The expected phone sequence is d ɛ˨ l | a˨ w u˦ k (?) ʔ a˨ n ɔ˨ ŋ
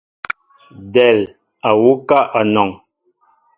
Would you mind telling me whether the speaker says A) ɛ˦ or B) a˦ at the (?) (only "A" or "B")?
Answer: B